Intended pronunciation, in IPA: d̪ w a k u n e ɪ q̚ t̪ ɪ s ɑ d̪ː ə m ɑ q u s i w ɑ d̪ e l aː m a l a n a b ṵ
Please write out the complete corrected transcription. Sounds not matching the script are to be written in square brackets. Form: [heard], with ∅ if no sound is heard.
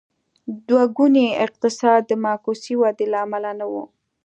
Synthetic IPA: d̪ w a [ɡ] u n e ɪ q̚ t̪ ɪ s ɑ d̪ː ə m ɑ [k] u s i w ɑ d̪ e l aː m a l a n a [w] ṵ